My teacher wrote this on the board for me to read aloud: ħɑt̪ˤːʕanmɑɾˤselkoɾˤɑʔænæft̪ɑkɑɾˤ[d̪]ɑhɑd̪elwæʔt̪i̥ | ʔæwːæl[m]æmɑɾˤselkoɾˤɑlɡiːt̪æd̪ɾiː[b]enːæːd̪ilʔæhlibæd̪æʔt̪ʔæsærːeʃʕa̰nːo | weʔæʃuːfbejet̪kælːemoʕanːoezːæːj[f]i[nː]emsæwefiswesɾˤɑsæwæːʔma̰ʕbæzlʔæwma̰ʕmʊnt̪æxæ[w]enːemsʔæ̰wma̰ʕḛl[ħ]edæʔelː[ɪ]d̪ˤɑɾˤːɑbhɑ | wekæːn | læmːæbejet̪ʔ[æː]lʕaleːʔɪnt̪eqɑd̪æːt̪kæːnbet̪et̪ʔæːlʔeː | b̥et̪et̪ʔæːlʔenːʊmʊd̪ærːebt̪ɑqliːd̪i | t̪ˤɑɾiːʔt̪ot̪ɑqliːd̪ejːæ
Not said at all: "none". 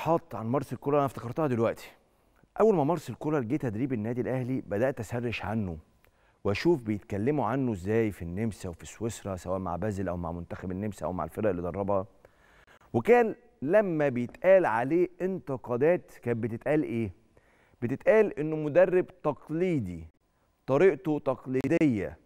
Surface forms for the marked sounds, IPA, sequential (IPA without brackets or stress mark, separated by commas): t̪, m, b, f, nː, b, f, i, æː